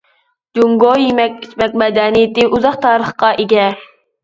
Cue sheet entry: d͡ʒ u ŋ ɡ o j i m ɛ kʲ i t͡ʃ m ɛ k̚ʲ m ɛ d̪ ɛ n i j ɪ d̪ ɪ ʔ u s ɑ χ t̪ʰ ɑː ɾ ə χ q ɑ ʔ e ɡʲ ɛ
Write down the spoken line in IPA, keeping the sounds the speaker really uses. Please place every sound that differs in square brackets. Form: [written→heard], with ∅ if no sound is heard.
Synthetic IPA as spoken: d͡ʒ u ŋ ɡ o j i m ɛ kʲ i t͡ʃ m ɛ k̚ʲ m ɛ d̪ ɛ n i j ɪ [d̪→t̪] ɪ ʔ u [s→z] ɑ χ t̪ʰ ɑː ɾ ə χ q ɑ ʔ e ɡʲ ɛ